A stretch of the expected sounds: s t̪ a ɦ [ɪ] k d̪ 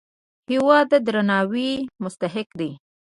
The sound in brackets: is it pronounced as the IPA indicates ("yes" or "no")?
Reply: yes